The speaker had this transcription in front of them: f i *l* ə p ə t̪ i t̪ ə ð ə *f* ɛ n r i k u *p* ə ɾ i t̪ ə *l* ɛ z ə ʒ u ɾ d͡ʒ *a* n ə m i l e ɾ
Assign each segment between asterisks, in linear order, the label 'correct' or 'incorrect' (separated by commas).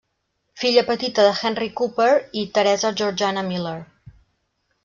incorrect, incorrect, correct, incorrect, correct